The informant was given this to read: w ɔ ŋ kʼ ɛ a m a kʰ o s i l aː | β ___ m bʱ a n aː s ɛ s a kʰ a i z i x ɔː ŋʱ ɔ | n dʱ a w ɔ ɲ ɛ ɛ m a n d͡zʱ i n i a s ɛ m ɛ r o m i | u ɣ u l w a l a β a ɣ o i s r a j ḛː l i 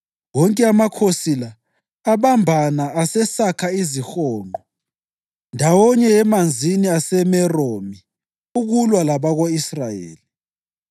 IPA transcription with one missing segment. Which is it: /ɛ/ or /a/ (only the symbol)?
a